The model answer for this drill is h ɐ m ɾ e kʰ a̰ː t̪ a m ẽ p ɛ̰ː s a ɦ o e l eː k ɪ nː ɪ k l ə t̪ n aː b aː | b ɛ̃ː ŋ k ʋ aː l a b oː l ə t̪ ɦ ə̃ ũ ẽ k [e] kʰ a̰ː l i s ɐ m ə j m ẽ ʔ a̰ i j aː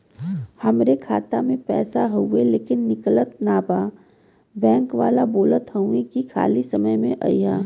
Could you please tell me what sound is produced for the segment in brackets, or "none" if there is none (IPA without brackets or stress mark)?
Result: i